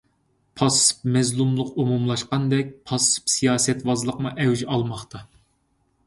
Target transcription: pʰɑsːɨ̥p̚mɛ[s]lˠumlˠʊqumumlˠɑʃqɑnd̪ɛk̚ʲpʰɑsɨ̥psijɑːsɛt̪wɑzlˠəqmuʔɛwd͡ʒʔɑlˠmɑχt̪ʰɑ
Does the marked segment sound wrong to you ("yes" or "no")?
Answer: yes